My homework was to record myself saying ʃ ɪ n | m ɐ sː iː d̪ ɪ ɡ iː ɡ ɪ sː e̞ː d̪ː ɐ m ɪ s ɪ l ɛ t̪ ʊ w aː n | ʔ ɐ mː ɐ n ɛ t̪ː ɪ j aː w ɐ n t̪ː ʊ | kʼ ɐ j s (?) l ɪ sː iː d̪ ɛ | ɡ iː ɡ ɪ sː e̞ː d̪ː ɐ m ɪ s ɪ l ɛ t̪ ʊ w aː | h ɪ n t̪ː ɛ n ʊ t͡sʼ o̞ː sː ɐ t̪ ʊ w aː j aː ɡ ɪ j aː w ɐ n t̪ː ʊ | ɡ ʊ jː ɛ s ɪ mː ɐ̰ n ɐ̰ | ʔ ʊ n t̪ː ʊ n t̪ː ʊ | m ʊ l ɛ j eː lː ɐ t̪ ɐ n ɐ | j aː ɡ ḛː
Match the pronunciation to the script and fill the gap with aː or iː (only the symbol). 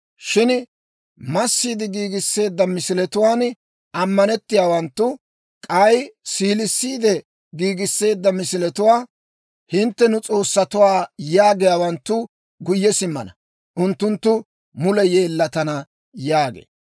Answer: iː